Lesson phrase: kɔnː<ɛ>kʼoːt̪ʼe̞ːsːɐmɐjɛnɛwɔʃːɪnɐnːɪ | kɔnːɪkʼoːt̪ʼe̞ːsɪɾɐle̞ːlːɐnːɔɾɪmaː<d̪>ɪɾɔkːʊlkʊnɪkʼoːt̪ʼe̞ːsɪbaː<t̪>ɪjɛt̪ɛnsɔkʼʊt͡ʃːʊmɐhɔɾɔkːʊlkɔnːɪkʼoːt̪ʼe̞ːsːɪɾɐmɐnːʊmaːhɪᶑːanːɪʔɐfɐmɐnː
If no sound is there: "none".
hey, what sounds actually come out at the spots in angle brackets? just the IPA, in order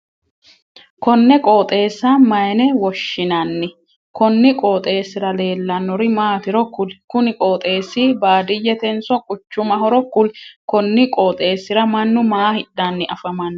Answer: ɛ, t̪, d̪

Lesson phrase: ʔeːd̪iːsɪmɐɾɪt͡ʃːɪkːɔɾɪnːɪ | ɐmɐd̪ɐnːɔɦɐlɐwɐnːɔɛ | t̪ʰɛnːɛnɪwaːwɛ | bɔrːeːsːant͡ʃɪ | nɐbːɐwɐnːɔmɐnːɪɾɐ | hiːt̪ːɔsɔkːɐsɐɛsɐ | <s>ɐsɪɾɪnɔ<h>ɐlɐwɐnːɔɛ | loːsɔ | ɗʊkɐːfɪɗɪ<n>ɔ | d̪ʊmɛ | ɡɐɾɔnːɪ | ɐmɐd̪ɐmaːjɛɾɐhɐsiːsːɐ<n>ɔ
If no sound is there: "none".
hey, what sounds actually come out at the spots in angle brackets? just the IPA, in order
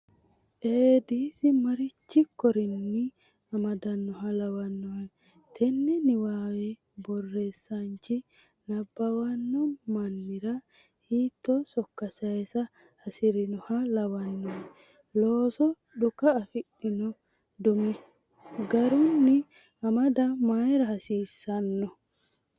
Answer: h, h, n, nː

